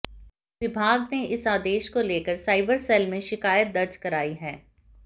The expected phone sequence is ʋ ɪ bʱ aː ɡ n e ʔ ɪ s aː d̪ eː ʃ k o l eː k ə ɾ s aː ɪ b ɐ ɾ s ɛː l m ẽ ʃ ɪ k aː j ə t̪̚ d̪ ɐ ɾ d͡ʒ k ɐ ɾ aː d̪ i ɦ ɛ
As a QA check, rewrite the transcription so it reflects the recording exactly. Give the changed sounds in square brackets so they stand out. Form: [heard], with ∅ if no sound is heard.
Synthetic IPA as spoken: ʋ ɪ bʱ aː ɡ n e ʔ ɪ s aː d̪ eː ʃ k o l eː k ə ɾ s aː ɪ b [ə] ɾ s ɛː l m ẽ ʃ ɪ k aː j ə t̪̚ d̪ ɐ ɾ d͡ʒ k ɐ ɾ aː [∅] i ɦ [ɛː]